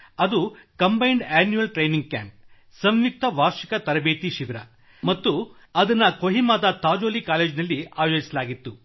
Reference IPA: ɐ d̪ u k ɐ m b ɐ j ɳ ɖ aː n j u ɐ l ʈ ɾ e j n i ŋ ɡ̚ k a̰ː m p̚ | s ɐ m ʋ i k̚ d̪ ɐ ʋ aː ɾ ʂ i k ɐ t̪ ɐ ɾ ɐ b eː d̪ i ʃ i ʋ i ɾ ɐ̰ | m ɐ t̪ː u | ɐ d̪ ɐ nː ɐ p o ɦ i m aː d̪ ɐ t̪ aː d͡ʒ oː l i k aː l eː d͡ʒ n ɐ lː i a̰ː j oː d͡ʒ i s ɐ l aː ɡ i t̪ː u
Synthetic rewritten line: ɐ d̪ u k ɐ m b ɐ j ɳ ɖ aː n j u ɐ l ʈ ɾ e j n i ŋ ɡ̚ k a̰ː m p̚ | s ɐ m ʋ i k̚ t̪ ɐ ʋ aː ɾ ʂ i k ɐ t̪ ɐ ɾ ɐ b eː t̪ i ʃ i ʋ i ɾ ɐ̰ | m ɐ t̪ː u | ɐ d̪ ɐ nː ɐ k o ɦ i m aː d̪ ɐ t̪ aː d͡ʒ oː l i k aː l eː d͡ʒ n ɐ lː i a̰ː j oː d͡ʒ i s ɐ l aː ɡ i t̪ː u